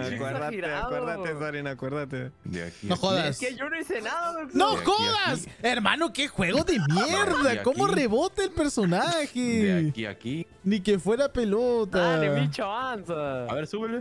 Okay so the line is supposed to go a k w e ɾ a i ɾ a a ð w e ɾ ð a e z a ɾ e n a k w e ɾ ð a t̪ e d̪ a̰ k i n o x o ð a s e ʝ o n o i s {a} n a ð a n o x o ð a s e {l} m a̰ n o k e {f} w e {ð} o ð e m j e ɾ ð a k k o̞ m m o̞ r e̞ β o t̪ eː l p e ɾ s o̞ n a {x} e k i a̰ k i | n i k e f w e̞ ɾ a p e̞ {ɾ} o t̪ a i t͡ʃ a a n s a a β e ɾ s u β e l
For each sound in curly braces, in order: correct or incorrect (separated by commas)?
incorrect, incorrect, incorrect, incorrect, correct, incorrect